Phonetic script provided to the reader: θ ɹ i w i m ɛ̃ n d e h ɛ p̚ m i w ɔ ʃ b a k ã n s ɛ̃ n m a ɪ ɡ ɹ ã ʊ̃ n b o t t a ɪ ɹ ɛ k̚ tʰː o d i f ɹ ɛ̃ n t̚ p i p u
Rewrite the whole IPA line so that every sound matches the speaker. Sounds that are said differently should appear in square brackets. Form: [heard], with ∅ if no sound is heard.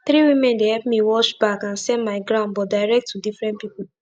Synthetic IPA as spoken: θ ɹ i w i m ɛ̃ n d e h ɛ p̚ m i w ɔ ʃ b a k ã n s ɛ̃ n m a ɪ ɡ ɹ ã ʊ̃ n b [ɔ] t [d] a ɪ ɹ ɛ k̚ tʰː [u] d i f ɹ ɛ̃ n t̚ p i p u

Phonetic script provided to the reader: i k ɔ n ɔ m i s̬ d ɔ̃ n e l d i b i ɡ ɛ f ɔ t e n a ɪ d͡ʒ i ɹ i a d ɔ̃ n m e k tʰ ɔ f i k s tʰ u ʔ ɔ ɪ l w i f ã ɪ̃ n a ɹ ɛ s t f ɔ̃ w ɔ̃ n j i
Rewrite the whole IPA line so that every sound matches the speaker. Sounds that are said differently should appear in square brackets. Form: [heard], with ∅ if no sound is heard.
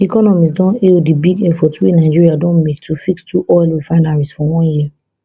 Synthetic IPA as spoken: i k ɔ n ɔ m i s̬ d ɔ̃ n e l d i b i ɡ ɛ f ɔ t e n a ɪ d͡ʒ i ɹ i a d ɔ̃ n m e k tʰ [u] f i k s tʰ u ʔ ɔ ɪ l w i f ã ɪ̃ n a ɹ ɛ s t f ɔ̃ w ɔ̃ n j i

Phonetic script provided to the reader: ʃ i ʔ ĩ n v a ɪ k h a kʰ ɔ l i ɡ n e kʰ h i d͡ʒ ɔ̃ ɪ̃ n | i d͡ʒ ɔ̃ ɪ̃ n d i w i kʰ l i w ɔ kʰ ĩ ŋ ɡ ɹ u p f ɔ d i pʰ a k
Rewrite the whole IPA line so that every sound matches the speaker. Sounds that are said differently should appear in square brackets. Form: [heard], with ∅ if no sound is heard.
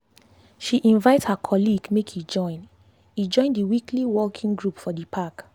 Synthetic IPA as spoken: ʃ i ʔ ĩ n v a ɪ [t] h a kʰ ɔ l i ɡ [m] e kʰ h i d͡ʒ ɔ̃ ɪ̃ n | i d͡ʒ ɔ̃ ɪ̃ n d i w i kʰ l i w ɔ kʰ ĩ ŋ ɡ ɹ u p f ɔ d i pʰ a k

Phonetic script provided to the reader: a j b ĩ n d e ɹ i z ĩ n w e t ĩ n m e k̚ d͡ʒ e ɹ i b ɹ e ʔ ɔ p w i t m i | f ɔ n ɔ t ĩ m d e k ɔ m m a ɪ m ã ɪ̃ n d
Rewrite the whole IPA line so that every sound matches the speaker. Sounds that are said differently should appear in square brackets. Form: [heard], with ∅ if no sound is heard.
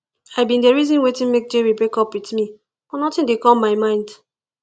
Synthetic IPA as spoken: a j b ĩ n d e ɹ i z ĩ n w e t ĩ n m e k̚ d͡ʒ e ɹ i b ɹ e [k] ɔ p w i t m i | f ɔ n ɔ t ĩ [n] d e k ɔ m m a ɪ m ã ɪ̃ n d

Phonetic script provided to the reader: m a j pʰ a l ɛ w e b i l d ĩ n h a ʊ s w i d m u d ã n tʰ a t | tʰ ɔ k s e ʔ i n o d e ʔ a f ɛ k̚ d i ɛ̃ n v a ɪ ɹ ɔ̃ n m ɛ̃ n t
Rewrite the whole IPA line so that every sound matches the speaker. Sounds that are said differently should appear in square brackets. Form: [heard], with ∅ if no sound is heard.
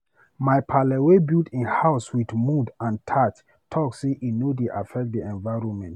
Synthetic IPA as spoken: m a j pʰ a l ɛ w e b i l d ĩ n h a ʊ s w i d m u d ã n tʰ a t | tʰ ɔ k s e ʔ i n o d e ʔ a f ɛ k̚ d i ɛ̃ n v a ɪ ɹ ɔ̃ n m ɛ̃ n t

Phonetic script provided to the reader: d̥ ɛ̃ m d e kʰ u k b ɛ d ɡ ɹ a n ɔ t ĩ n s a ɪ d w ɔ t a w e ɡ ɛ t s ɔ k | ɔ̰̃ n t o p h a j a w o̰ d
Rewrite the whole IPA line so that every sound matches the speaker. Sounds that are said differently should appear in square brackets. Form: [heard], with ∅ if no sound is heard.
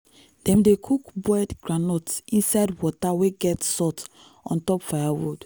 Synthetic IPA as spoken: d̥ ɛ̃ m d e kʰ u k b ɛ d ɡ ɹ a n ɔ t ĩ n s a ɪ d w ɔ t a w e ɡ ɛ t s ɔ [t] | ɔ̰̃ n t [ɔ] p [f] a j a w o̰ d

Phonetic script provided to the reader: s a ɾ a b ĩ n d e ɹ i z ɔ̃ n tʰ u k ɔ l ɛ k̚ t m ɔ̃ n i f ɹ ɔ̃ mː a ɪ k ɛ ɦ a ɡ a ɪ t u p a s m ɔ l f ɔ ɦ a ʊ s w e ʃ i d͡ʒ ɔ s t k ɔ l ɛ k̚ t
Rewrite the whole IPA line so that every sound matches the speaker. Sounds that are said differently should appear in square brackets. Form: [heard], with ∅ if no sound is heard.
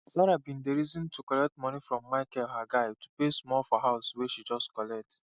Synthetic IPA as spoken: s a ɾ a b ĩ n d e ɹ i z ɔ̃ n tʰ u k ɔ l ɛ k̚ t m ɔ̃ n i f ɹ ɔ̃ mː a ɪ k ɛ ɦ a ɡ a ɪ t u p [e] s m ɔ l f ɔ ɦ a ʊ s w e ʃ i d͡ʒ ɔ s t k ɔ l ɛ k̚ t

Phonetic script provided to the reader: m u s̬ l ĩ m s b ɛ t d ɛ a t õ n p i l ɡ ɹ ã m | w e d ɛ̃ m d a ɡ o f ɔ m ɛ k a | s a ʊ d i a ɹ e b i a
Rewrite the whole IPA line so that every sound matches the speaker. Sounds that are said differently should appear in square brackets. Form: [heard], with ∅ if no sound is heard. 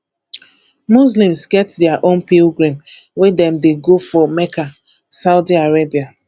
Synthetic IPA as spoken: m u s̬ l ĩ m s [ɡ] ɛ t d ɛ a [ʔ] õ n p i l ɡ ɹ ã m | w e d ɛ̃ m d [e] ɡ o f ɔ m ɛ k a | s a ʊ d i a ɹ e b i a

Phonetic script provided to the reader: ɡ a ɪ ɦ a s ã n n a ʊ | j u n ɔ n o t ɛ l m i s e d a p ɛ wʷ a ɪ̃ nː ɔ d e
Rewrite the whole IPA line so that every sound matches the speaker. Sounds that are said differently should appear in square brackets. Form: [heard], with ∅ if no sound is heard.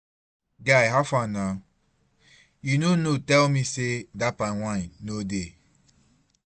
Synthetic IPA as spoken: ɡ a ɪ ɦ a [f] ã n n a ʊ | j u n [o] n o t ɛ l m i s e d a p [a] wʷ a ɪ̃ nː [o] d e

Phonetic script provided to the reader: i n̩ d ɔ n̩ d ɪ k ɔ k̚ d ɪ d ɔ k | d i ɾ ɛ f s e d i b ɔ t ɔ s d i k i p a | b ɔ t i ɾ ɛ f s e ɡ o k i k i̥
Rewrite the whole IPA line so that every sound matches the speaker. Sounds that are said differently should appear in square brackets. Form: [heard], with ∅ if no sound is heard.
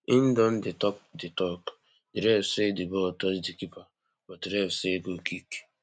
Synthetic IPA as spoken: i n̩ d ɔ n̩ d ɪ [t] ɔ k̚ d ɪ [t] ɔ k | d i ɾ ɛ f s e d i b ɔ t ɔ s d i k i p a | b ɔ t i ɾ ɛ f s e ɡ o k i k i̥

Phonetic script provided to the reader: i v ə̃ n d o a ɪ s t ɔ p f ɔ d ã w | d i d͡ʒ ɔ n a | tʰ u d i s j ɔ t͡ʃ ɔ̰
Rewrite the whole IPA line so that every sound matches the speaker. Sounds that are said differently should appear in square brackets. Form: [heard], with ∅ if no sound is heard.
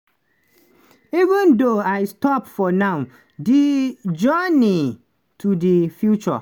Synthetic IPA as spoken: i v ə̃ n d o a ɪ s t ɔ p f ɔ [n] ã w | d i d͡ʒ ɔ n [i] | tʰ u d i [f] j [u] t͡ʃ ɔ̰

